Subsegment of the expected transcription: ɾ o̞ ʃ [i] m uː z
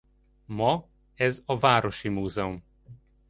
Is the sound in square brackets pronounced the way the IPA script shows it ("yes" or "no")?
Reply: yes